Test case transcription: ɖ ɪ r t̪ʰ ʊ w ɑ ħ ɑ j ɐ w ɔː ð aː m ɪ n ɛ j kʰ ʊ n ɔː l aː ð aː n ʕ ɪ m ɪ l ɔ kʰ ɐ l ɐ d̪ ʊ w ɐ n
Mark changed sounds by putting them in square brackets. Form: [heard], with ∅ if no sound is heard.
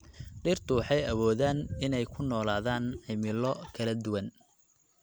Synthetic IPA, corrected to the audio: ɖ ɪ r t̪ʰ ʊ w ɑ ħ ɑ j ɐ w ɔː ð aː [n] ɪ n ɛ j kʰ ʊ n ɔː l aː ð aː n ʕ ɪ m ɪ l ɔ kʰ ɐ l ɐ d̪ ʊ w ɐ n